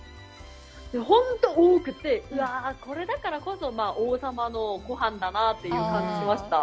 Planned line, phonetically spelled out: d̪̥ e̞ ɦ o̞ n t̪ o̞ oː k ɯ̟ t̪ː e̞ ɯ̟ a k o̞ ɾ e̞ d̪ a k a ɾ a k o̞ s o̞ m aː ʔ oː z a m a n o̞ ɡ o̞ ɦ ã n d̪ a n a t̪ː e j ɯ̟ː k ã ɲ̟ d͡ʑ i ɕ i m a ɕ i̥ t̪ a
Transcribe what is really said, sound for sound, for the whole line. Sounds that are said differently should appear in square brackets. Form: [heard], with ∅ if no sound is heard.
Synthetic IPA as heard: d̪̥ e̞ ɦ [õ̞] n t̪ o̞ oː k ɯ̟ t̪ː e̞ ɯ̟ a k o̞ ɾ e̞ d̪ a k a ɾ a k o̞ s o̞ m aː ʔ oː [s] a m a n o̞ ɡ o̞ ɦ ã n d̪ a n a t̪ː e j ɯ̟ː k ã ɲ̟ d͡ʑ i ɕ i m a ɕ i̥ t̪ a